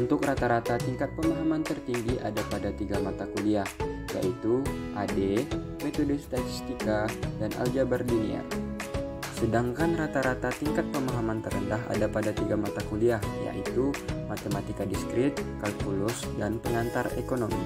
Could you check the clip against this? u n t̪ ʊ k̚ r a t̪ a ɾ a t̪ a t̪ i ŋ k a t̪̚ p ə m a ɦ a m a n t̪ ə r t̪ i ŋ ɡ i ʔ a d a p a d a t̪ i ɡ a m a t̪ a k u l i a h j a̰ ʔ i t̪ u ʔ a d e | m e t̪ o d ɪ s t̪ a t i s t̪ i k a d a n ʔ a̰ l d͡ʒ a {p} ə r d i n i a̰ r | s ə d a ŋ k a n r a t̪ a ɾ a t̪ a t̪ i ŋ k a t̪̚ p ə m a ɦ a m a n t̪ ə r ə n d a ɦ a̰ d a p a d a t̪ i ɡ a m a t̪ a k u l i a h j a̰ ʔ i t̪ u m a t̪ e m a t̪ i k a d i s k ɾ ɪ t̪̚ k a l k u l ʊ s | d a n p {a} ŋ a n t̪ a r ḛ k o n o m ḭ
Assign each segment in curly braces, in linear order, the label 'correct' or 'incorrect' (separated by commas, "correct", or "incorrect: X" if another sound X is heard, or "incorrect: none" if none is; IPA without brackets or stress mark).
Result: incorrect: b, incorrect: ə